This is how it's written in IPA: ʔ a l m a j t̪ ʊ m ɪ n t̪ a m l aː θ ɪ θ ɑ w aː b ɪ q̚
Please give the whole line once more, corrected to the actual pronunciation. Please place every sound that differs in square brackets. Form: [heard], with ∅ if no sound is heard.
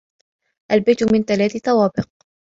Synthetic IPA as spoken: ʔ a l [b] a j t̪ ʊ m ɪ n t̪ a [∅] l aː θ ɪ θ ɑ w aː b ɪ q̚